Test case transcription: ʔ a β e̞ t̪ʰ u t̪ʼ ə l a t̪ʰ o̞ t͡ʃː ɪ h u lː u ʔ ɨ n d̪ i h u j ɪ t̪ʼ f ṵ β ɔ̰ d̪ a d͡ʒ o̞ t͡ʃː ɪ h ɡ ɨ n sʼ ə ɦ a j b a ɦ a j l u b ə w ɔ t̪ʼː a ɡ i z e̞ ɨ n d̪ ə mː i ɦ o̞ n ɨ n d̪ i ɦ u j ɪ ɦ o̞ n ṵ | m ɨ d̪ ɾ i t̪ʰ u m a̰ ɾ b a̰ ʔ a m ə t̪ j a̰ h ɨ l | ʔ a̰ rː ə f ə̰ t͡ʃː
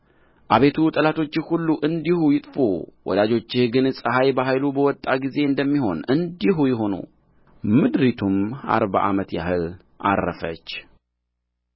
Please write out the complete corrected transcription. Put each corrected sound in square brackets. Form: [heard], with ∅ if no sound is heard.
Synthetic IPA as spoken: ʔ a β e̞ t̪ʰ u t̪ʼ ə l a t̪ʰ o̞ t͡ʃː ɪ h u lː u ʔ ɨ n d̪ i h u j ɪ t̪ʼ f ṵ [w] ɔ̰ d̪ a d͡ʒ o̞ t͡ʃː ɪ h ɡ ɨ n sʼ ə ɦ a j b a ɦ a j l u b ə w ɔ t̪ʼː a ɡ i z e̞ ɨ n d̪ ə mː i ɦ o̞ n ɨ n d̪ i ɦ u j ɪ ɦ o̞ n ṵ | m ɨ d̪ ɾ i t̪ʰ u m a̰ ɾ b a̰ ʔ a m ə t̪ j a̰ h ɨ l | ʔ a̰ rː ə f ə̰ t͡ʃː